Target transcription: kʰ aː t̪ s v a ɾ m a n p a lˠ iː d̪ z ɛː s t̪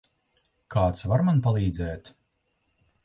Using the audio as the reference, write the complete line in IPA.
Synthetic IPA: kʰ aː t̪ s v a ɾ m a n p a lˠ iː d̪ z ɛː t̪